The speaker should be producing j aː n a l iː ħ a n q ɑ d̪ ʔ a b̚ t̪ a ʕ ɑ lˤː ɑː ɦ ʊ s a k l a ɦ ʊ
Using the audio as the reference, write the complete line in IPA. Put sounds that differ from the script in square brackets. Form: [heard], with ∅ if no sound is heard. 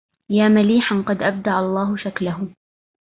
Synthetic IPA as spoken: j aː [m] a l iː ħ a n q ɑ d̪ ʔ a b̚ [d̪] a ʕ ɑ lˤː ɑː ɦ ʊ [ʃ] a k l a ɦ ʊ